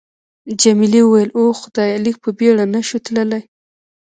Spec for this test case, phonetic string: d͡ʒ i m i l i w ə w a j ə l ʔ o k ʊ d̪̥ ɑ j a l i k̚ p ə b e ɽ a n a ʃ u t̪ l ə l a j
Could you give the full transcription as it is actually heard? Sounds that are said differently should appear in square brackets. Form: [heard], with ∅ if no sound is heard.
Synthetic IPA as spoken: d͡ʒ [a] m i l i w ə w a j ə l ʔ o [x] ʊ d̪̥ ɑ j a l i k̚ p ə b e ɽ a n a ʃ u t̪ l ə l a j

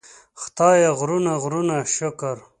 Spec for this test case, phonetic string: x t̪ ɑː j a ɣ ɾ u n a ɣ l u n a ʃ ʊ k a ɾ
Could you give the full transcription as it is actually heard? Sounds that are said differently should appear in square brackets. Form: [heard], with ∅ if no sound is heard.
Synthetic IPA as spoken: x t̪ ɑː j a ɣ ɾ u n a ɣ [ɾ] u n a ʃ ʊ k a ɾ

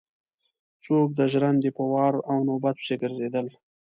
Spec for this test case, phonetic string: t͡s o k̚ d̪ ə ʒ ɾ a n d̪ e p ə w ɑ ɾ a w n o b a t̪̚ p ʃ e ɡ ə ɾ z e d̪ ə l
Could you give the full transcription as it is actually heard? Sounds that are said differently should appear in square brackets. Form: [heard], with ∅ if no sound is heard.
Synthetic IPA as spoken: t͡s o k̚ d̪ ə ʒ ɾ a n d̪ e p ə w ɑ ɾ a w n o b a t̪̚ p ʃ e ɡ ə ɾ z e d̪ ə l

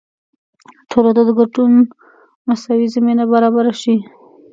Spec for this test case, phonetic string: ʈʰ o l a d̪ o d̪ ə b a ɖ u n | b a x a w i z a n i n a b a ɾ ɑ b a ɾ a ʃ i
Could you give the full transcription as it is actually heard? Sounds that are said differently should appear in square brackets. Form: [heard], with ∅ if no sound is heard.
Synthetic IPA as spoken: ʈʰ o l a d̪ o d̪ ə [ɡ] a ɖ u n | [m] a [s] a w i z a [m] i n a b a ɾ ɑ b a ɾ a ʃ i

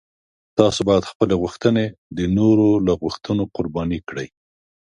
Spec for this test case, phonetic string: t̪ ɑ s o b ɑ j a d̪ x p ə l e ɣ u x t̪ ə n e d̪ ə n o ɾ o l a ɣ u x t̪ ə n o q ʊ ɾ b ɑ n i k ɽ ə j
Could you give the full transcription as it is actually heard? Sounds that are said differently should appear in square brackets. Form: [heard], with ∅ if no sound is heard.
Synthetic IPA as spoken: t̪ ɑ s o b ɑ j a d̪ x p ə l e ɣ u x t̪ ə n e d̪ ə n o ɾ o l a ɣ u x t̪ ə n o q ʊ ɾ b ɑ n i k ɽ ə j

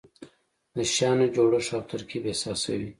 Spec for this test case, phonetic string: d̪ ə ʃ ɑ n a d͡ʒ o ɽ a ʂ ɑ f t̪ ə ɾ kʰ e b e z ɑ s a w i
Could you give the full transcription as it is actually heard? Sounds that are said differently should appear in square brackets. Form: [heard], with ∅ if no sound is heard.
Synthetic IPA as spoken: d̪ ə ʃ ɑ n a d͡ʒ o ɽ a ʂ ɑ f t̪ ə ɾ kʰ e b e [s] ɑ s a w i

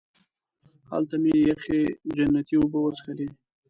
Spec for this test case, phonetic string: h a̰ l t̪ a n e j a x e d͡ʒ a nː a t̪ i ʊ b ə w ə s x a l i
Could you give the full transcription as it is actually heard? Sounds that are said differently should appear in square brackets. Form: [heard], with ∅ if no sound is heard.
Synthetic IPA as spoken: h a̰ l t̪ a [m] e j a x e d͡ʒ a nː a t̪ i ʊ b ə w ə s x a l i

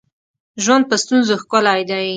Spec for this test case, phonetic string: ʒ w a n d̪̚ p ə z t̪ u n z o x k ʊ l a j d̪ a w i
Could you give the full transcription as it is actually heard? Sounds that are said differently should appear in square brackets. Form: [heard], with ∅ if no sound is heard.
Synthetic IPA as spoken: ʒ w a n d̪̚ p ə [s] t̪ u n z o x k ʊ l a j d̪ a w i

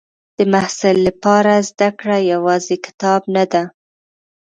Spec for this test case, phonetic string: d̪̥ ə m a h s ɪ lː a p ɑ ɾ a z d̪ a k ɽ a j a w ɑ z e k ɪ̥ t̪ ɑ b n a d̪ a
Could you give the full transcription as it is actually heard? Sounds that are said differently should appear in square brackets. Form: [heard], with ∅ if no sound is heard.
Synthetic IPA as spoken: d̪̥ ə m a h s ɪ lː a p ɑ ɾ a z d̪ a k ɽ a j a w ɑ z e k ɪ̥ t̪ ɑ b n a d̪ a

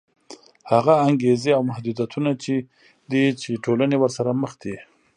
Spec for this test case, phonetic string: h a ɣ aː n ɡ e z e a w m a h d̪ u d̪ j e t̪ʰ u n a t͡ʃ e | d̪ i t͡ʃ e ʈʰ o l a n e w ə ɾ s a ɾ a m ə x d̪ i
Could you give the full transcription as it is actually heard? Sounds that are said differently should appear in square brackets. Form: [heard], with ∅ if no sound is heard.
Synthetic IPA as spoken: h a ɣ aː [ŋ] ɡ e z e a w m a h d̪ u d̪ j [a] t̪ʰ u n a t͡ʃ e | d̪ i t͡ʃ e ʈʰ o l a n e w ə ɾ s a ɾ a m ə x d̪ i

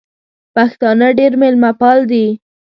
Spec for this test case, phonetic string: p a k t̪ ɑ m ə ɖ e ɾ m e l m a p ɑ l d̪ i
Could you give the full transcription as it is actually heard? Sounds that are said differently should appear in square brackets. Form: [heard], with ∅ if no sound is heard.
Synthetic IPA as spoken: p a [x] t̪ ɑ [n] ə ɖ e ɾ m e l m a p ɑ l d̪ i

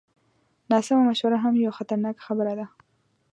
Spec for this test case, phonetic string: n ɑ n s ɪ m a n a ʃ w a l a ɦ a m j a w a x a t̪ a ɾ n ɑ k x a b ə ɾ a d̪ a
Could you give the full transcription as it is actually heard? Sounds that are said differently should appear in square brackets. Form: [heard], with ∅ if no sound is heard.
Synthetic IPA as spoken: n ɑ [∅] s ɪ m a [m] a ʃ w a [ɾ] a ɦ a m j a w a x a t̪ a ɾ n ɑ k x a b ə ɾ a d̪ a

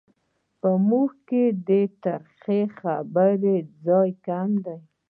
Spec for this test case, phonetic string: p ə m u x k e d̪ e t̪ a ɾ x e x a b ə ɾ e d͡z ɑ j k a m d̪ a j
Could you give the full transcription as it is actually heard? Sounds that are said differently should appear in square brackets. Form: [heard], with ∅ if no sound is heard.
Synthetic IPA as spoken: p ə m u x k e d̪ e t̪ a ɾ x e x a b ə ɾ e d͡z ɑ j k a m d̪ a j

